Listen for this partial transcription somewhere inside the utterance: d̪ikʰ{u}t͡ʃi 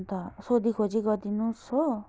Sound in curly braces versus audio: incorrect: o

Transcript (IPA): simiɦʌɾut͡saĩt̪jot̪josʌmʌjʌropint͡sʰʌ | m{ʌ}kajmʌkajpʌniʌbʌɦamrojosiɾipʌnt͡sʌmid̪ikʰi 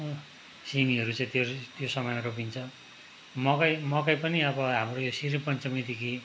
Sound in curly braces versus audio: correct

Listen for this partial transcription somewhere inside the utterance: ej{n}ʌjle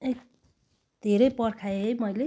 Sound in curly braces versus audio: incorrect: m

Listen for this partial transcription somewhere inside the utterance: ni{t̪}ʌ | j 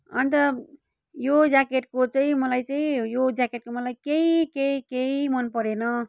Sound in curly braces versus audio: correct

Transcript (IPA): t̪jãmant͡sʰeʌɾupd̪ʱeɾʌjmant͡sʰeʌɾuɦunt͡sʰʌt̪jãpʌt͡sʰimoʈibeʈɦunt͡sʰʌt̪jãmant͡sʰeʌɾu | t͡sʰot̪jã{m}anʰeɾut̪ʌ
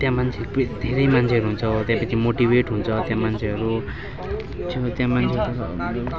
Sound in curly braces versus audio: correct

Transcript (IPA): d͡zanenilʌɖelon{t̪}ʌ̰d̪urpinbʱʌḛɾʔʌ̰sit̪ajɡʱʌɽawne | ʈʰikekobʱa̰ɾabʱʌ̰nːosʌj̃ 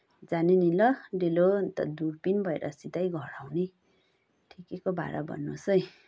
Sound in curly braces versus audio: correct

